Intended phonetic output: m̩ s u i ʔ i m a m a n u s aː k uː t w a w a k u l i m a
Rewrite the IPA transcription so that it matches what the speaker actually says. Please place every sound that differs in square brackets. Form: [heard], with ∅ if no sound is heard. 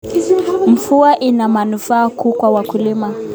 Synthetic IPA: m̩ [f] u [a] ʔ i [n] a m a n u [f] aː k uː [k] w a w a k u l i m a

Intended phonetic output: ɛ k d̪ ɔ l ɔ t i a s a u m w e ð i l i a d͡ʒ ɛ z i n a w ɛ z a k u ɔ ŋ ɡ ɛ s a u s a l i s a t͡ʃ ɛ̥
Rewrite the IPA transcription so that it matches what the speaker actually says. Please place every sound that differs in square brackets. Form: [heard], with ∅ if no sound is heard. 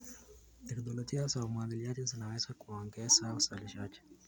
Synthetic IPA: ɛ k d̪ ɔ l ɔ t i a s a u m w [a] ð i l i a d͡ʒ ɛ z i n a w ɛ z a k u ɔ ŋ ɡ ɛ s a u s a l i [ʃ] a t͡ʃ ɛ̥

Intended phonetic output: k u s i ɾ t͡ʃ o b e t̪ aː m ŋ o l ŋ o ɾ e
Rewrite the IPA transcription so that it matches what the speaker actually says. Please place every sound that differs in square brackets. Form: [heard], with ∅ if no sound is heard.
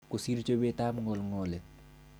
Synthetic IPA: k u s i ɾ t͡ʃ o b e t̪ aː m ŋ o l ŋ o [l] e

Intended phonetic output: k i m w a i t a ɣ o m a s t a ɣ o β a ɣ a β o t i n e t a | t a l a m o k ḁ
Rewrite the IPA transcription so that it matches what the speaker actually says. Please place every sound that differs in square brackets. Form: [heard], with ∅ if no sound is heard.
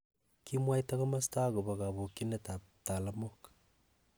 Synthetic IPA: k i m w a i t a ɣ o m a s t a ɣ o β a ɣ a β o [k] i n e t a | t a l a m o k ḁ

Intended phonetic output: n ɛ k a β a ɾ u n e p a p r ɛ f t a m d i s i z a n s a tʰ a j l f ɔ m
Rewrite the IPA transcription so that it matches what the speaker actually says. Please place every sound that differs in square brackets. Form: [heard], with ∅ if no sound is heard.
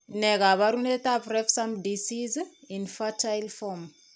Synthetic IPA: n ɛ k a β a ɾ u n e [t] a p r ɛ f [s] a m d i s i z [i] n [f] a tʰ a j l f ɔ m

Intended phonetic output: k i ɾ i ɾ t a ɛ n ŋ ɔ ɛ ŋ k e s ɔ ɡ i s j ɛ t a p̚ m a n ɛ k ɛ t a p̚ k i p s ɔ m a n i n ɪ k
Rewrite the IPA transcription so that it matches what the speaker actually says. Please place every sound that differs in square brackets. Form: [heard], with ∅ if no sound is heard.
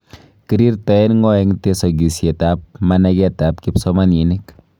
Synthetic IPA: k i ɾ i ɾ t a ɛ n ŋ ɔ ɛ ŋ [t] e s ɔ ɡ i s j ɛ t a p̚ m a n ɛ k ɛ t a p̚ k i p s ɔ m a n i n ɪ k

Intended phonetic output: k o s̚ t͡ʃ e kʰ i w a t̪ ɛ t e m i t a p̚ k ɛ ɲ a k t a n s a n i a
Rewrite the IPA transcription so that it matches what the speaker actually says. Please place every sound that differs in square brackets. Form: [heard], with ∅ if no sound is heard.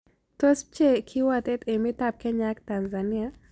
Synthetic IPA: [t] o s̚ t͡ʃ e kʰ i w a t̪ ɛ t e m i t a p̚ k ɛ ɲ a k t a n [z] a n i a

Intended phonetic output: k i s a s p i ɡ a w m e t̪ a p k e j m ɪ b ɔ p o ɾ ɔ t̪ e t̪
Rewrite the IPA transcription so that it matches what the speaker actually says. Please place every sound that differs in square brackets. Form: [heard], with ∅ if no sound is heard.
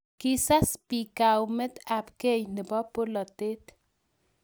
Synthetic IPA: k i s a s p i [k] a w m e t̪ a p k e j [n] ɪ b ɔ p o [l] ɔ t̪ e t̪

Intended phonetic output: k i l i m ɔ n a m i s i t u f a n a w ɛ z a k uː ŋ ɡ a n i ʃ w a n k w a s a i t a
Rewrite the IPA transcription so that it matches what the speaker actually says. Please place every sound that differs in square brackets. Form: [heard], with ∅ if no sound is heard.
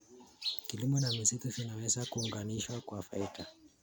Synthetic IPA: k i l i m ɔ n a m i s i t u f [i] n a w ɛ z a k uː ŋ ɡ a n i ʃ w a [∅] k w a [f] a i t a

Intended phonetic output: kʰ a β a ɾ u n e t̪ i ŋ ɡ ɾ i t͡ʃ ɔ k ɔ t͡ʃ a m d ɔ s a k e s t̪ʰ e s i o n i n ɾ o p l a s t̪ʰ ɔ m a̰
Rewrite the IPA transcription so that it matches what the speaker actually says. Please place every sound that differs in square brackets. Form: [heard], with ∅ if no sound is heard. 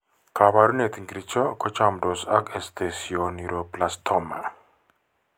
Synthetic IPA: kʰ a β a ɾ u n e t̪ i ŋ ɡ ɾ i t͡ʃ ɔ k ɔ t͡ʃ a m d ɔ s a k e s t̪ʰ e s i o n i [∅] ɾ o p l a s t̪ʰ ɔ m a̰

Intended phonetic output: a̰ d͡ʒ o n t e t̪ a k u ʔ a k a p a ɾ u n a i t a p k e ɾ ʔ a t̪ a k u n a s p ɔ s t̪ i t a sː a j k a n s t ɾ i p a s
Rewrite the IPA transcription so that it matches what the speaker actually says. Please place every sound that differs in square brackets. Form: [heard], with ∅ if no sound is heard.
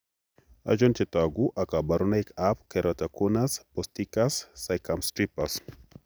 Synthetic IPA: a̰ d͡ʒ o n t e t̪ a [ɡ] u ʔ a k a [b] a ɾ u n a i [k] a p k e ɾ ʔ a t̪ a k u n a s p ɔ s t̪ i [k] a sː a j k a [m] s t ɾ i p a s

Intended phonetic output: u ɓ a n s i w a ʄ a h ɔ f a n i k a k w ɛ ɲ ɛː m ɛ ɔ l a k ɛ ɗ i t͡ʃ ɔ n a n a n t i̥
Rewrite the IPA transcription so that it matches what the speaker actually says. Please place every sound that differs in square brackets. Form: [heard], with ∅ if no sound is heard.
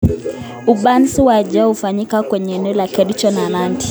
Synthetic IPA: u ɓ a n s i w a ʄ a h [u] f a [ɲ] i k a k w ɛ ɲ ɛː [n] ɛ ɔ l a k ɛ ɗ i t͡ʃ ɔ n a n a n t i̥

